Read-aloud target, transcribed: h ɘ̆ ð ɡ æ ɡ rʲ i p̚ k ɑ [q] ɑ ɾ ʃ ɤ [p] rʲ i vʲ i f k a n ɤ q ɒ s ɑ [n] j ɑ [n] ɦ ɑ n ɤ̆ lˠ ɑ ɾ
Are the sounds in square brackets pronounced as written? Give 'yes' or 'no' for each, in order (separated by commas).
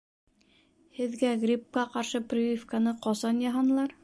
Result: yes, yes, yes, no